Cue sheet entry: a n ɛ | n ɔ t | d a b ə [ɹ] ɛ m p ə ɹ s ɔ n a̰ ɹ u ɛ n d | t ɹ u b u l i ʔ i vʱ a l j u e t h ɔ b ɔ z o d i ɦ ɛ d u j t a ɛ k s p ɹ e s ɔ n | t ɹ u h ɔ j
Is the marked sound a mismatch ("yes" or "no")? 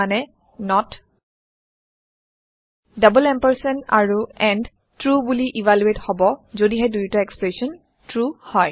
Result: yes